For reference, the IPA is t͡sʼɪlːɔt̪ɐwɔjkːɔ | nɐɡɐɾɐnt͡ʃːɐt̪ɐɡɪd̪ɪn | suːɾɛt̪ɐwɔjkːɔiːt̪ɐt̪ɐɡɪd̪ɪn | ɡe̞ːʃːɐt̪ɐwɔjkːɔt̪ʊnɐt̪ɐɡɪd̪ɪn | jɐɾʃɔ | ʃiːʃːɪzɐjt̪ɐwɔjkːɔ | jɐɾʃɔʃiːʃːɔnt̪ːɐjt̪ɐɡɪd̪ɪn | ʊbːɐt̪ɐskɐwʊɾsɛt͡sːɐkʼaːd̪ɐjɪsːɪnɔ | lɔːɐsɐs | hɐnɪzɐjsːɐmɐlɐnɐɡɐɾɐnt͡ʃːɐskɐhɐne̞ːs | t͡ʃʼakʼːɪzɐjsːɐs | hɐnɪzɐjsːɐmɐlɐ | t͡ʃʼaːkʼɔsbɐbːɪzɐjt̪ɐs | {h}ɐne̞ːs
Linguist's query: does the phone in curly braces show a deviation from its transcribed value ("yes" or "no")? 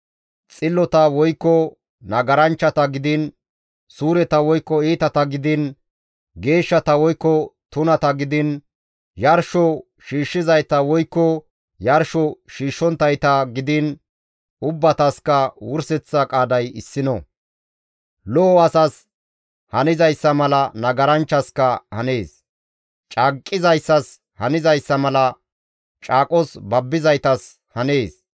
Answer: no